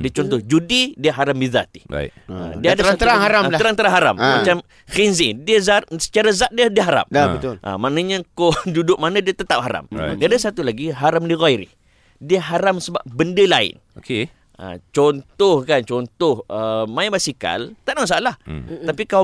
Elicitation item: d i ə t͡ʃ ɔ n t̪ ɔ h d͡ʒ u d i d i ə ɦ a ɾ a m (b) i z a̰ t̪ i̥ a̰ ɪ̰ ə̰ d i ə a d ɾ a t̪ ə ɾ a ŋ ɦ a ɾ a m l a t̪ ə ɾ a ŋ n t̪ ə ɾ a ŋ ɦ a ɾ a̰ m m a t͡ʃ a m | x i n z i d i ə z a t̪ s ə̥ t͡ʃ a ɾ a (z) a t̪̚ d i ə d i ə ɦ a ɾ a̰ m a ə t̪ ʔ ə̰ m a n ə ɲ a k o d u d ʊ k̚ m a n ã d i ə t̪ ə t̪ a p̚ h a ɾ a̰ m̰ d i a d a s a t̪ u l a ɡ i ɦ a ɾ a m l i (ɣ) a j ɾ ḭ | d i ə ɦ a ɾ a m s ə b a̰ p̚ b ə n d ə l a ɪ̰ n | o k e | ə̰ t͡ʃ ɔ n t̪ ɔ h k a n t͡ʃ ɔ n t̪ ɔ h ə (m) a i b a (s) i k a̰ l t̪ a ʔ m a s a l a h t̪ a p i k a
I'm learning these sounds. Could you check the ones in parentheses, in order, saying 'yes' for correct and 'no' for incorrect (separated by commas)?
yes, yes, yes, yes, yes